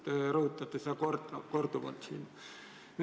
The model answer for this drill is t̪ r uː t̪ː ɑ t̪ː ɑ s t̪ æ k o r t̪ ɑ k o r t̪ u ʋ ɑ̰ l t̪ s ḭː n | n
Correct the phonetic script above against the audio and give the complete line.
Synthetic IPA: t̪ r uː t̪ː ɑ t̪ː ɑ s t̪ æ k o r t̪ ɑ k o r t̪ u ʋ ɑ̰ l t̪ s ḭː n | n